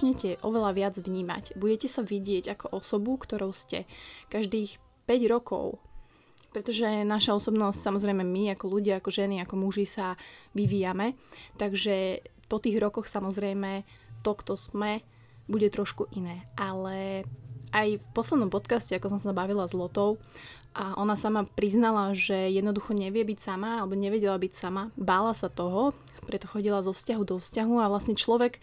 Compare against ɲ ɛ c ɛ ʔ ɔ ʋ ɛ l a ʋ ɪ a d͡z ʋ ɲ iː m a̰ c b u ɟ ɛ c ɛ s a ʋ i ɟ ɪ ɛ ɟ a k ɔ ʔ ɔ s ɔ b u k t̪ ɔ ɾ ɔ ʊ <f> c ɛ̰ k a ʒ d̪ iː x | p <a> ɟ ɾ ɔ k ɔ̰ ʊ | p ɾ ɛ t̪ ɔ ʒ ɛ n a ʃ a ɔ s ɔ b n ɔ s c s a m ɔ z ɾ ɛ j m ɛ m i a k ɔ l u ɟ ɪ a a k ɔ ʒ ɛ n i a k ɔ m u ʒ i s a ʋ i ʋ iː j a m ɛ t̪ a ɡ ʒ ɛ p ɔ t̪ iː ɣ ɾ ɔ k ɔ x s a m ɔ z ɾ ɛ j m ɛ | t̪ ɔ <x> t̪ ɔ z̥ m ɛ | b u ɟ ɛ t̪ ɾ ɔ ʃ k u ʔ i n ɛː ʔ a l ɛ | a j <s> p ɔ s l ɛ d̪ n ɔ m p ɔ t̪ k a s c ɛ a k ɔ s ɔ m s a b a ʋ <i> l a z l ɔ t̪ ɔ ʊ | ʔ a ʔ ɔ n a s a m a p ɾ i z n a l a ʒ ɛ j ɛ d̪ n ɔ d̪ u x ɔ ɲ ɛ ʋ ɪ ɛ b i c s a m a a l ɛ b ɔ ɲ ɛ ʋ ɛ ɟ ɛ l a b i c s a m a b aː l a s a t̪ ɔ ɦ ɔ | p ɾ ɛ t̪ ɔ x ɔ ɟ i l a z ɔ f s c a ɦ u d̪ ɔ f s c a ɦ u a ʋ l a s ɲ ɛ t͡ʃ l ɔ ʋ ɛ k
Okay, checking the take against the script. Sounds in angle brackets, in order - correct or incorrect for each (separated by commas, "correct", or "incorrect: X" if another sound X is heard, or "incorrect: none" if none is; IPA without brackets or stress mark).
incorrect: s, incorrect: ɛ, incorrect: k, incorrect: f, correct